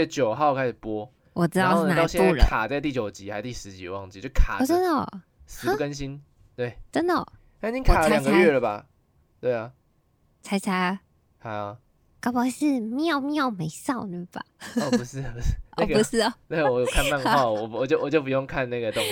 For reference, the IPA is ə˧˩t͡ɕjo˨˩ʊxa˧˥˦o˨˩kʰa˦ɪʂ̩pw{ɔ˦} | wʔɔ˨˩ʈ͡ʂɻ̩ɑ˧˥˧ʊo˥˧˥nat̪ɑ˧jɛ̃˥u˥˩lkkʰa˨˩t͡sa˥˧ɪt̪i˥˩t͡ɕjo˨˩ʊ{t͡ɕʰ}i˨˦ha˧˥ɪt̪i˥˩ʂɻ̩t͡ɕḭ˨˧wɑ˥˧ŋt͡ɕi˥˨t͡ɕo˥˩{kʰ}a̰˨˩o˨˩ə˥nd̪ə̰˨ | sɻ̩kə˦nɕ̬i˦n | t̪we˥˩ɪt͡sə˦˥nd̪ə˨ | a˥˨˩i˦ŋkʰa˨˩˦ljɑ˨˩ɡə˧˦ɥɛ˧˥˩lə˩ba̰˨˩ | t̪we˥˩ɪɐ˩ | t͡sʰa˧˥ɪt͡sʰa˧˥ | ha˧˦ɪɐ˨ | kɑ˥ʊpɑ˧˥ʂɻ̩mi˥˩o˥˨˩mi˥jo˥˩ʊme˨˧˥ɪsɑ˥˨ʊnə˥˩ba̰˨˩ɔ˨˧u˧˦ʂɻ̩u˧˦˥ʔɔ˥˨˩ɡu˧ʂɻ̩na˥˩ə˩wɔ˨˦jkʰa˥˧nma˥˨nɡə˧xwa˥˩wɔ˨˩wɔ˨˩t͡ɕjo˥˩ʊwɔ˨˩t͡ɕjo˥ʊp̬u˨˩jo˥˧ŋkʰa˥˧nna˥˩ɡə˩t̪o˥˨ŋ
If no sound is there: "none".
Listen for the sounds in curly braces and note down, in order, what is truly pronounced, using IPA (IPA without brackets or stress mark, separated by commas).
ɔ˦, t͡ɕ, kʰ